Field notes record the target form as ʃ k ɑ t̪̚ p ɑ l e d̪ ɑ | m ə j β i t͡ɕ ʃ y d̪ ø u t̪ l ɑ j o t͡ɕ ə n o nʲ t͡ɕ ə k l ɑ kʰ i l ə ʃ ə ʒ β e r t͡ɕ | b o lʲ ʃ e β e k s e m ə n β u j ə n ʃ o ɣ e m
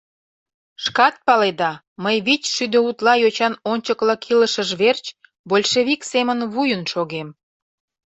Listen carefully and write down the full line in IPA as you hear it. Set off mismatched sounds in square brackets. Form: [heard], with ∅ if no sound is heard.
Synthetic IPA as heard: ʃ k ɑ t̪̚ p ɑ l e d̪ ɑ | m ə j β i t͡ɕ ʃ y d̪ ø u t̪ l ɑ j o t͡ɕ [ɑ] n o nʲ t͡ɕ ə k l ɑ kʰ i l ə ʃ ə ʒ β e r t͡ɕ | b o lʲ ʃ e β [i] k s e m ə n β u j ə n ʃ o ɣ e m

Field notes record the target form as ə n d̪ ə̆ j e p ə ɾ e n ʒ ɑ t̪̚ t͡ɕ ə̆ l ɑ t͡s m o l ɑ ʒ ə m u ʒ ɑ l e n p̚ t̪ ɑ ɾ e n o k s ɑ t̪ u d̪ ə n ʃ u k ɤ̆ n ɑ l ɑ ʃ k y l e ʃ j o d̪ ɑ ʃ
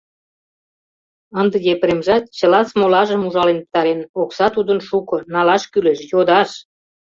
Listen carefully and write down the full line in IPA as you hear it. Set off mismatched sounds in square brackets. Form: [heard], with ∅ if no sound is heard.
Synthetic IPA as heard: ə n d̪ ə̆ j e p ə ɾ e [m] ʒ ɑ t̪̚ t͡ɕ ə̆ l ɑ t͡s m o l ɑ ʒ ə m u ʒ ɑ l e n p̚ t̪ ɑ ɾ e n o k s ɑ t̪ u d̪ ə n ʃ u k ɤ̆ n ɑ l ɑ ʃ k y l e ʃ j o d̪ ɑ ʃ

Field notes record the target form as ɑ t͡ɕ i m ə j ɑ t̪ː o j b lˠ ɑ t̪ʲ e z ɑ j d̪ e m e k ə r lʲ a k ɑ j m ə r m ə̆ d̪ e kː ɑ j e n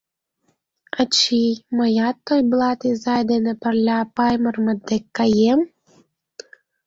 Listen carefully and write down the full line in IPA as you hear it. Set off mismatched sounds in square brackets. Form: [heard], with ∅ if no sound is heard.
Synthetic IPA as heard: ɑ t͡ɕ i m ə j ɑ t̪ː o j b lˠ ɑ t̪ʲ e z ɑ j d̪ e [n] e [p] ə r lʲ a [p] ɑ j m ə r m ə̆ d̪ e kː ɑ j e [m]

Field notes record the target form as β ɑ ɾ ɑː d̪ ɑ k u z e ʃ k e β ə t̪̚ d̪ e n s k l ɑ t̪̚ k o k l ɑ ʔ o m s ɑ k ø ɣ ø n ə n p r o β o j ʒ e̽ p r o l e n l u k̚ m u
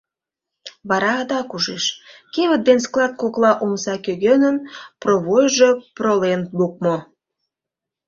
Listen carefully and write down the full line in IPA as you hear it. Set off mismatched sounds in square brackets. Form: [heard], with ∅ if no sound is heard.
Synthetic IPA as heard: β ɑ ɾ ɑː d̪ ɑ k u [ʒ] e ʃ k e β ə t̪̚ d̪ e n s k l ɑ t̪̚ k o k l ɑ ʔ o m s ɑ k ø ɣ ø n ə n p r o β o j ʒ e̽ p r o l e n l u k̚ m [o]

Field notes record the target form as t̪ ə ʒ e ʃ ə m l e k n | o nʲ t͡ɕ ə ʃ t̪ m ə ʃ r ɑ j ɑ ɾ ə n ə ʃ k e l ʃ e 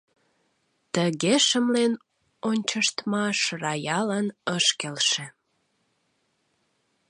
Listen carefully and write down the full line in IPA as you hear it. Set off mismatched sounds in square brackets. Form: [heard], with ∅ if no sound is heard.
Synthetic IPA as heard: t̪ ə [ɣ] e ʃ ə m l e [∅] n | o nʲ t͡ɕ ə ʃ t̪ m [ɑ] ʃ r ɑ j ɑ [l] ə n ə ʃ k e l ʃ e

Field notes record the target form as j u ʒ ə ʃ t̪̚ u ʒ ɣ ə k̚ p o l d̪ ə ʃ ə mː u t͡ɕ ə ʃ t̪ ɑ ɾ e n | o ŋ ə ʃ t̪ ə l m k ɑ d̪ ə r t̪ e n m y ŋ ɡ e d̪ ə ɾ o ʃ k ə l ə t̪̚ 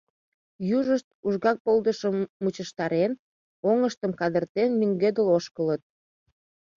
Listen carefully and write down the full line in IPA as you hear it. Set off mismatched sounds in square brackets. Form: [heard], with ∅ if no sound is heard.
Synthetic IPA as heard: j u ʒ ə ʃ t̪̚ u ʒ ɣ [ɑ] k̚ p o l d̪ ə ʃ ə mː u t͡ɕ ə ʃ t̪ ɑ ɾ e n | o ŋ ə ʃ t̪ ə [∅] m k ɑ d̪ ə r t̪ e n m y ŋ ɡ e d̪ ə [l] o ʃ k ə l ə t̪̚

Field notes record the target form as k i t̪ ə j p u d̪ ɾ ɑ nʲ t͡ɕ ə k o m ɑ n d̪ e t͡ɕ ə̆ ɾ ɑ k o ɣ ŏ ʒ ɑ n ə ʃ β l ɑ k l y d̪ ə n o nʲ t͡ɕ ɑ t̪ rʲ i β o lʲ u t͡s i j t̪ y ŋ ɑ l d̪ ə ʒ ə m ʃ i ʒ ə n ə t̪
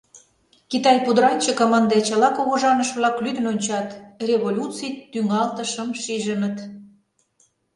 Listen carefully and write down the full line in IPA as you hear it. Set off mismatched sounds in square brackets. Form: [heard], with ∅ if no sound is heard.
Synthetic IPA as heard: k i t̪ [ɑ] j p u d̪ ɾ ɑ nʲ t͡ɕ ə k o m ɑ n d̪ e t͡ɕ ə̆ [l] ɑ k o ɣ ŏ ʒ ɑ n ə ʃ β l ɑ k l y d̪ ə n o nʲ t͡ɕ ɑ t̪ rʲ [e] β o lʲ u t͡s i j t̪ y ŋ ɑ l [t̪] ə [ʃ] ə m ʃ i ʒ ə n ə t̪

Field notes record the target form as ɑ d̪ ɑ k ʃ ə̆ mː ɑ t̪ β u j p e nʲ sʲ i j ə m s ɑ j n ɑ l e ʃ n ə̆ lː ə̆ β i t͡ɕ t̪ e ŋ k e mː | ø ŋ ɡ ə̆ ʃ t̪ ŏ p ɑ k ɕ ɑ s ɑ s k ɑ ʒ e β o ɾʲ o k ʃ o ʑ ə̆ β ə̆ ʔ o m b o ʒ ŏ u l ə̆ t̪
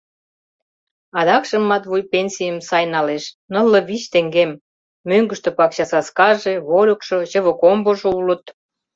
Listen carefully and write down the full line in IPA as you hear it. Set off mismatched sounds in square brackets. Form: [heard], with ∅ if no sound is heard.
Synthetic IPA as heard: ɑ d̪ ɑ k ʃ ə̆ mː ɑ t̪ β u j p e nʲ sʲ i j ə m s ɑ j n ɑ l e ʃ n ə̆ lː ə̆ β i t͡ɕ t̪ e ŋ [ɡ] e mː | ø ŋ ɡ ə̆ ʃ t̪ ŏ p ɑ k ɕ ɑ s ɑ s k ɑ ʒ e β o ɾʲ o k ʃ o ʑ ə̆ β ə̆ [k] o m b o ʒ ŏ u l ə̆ t̪

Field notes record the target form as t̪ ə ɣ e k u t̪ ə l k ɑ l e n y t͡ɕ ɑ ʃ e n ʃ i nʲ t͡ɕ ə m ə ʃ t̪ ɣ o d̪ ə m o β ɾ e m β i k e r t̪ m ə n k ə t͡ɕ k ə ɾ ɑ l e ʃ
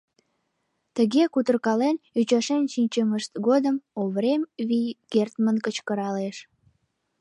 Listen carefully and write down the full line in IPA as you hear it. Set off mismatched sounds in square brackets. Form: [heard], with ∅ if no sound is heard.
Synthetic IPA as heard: t̪ ə ɣ e k u t̪ ə [r] k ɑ l e n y t͡ɕ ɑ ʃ e n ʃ i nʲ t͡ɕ ə m ə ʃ t̪ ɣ o d̪ ə m o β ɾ e m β i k e r t̪ m ə n k ə t͡ɕ k ə ɾ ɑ l e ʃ

